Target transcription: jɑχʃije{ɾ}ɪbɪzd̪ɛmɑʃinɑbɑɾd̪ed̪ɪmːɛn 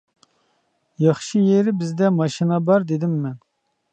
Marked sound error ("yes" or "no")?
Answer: no